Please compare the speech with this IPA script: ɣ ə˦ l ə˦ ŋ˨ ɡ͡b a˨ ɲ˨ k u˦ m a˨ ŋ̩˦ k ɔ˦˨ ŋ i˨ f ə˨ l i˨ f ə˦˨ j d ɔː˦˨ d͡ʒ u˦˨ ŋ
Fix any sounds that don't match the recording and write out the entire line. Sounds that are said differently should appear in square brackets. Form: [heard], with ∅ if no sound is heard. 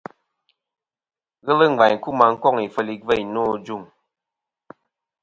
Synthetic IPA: ɣ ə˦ l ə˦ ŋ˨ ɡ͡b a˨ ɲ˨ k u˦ m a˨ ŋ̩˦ k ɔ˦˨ ŋ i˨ f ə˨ l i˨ [v] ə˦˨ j [n] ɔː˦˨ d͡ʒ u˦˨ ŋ